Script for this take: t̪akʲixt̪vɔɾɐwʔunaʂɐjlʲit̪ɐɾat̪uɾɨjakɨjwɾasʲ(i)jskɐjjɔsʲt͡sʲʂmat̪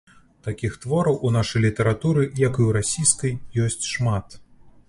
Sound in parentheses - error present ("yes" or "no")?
no